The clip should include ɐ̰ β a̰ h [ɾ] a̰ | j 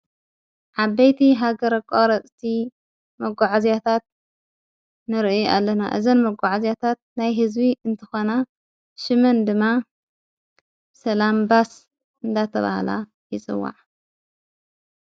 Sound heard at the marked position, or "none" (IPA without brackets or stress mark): l